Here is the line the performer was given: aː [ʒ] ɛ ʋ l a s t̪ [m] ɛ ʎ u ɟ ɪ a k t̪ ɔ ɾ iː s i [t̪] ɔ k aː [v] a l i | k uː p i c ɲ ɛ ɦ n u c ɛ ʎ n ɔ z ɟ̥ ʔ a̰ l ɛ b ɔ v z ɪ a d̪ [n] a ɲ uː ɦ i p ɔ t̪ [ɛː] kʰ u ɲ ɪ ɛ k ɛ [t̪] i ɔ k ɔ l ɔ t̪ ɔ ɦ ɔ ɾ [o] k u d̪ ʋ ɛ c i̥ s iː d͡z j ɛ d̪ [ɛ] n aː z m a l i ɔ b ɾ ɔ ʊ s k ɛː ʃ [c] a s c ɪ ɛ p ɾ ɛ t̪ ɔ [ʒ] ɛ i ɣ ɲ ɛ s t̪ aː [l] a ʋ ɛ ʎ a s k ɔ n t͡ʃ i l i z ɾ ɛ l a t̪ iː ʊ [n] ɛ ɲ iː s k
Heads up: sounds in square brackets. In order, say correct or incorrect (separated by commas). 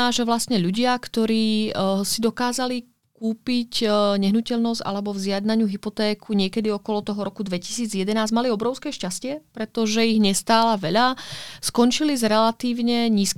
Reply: correct, incorrect, incorrect, incorrect, correct, correct, incorrect, incorrect, correct, correct, correct, correct, incorrect